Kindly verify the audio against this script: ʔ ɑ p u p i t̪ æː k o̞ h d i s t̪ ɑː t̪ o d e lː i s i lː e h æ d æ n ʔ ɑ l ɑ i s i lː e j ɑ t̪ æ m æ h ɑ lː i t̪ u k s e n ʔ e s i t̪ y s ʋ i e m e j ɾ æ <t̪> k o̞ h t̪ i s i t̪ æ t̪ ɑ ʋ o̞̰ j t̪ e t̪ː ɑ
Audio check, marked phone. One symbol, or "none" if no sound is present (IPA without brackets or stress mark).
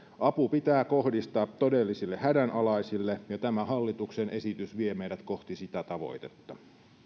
t̪